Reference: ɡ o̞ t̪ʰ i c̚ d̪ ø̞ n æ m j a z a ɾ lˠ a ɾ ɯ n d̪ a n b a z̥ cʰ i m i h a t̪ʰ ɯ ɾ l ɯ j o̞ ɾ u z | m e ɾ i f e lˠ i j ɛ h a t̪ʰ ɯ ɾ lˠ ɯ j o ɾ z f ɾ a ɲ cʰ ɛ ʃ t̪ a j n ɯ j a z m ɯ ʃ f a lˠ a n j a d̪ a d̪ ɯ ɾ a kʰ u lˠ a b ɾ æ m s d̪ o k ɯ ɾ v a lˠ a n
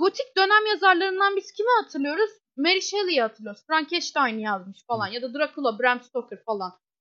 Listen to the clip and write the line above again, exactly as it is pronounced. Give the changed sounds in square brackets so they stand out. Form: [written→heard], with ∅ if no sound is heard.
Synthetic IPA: ɡ o̞ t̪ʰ i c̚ d̪ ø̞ n æ m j a z a ɾ lˠ a ɾ ɯ n d̪ a n b [a→i] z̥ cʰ i m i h a t̪ʰ ɯ ɾ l ɯ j o̞ ɾ u z | m e ɾ i [f→ʃ] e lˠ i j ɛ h a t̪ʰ ɯ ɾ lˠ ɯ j o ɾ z f ɾ a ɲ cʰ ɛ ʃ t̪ a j n ɯ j a z m ɯ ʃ f a lˠ a n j a d̪ a d̪ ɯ ɾ a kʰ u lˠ a b ɾ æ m s [d̪→t̪] o k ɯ ɾ [v→f] a lˠ a n